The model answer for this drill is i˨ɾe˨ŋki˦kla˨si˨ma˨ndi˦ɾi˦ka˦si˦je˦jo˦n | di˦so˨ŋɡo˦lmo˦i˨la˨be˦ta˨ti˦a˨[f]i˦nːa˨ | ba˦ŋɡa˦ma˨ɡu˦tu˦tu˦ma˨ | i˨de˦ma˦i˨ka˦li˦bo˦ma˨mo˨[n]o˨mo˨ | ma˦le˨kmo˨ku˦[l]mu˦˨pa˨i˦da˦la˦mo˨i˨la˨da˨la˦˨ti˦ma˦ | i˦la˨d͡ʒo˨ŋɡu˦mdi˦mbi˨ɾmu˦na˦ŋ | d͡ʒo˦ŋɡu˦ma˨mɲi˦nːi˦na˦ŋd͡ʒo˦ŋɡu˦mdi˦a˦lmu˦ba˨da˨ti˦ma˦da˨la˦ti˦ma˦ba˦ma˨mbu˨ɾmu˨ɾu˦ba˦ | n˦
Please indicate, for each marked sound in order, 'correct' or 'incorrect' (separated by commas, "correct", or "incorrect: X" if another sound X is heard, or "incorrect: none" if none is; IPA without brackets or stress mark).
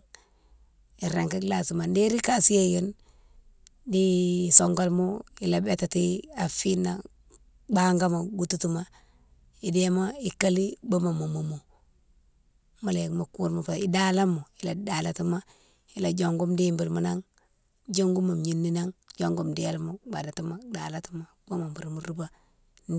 correct, incorrect: m, incorrect: ɾ